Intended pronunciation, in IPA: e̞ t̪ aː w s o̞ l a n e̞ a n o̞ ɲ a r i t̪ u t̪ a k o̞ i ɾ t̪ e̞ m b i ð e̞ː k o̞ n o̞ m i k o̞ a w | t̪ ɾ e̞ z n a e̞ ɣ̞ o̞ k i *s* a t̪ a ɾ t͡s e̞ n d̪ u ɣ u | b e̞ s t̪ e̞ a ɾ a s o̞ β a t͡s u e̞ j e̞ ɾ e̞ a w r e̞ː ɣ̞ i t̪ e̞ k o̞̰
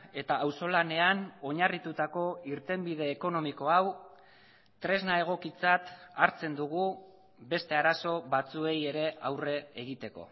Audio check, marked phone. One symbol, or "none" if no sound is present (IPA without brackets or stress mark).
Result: t͡s